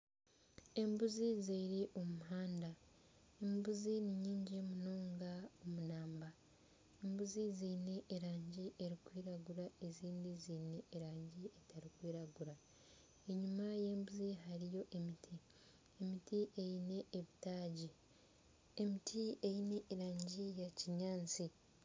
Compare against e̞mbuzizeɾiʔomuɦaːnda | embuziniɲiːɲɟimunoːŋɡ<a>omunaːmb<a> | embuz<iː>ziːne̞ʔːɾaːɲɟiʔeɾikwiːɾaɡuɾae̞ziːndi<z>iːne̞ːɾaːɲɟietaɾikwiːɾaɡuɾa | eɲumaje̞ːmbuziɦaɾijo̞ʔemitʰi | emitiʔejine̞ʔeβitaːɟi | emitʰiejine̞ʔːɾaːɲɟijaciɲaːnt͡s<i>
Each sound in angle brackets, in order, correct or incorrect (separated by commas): correct, correct, incorrect, correct, correct